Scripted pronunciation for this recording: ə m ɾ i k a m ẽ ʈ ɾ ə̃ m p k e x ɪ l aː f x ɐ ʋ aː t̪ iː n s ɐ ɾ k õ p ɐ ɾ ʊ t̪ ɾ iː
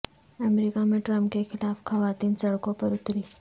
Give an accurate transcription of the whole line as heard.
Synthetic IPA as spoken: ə m ɾ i k a m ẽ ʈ ɾ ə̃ m p k e x ɪ l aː f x ɐ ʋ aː t̪ iː n s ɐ ɽ k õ p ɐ ɾ ʊ t̪ ɾ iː